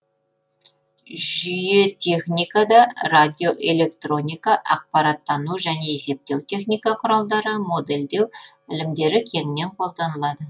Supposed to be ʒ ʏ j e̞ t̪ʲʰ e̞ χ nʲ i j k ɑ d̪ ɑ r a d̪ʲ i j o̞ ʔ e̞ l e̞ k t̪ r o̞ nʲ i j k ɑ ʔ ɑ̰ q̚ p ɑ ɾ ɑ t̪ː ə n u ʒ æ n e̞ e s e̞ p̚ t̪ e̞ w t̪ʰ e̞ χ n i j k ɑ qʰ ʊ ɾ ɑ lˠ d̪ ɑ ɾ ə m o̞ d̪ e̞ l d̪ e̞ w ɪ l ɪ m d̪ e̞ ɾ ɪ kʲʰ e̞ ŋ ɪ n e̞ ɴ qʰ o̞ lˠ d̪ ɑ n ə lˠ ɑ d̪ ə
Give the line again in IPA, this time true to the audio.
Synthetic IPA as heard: ʒ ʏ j e̞ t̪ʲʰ e̞ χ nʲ i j k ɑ d̪ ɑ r a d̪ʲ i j o̞ ʔ e̞ l e̞ k t̪ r o̞ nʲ i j k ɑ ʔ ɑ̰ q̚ p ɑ ɾ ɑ t̪ː ɑ n u ʒ æ n e̞ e s e̞ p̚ t̪ e̞ w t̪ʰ e̞ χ n i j k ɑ qʰ ʊ ɾ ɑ lˠ d̪ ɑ ɾ ə m o̞ d̪ e̞ l d̪ e̞ w ɪ l ɪ m d̪ e̞ ɾ ɪ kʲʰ e̞ ŋ ɪ n e̞ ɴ qʰ o̞ lˠ d̪ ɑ n ə lˠ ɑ d̪ ə